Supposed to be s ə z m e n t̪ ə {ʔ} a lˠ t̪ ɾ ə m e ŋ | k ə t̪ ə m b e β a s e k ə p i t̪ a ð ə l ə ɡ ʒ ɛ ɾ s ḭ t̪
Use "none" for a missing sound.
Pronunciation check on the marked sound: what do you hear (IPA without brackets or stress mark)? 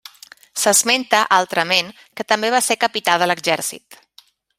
ʔ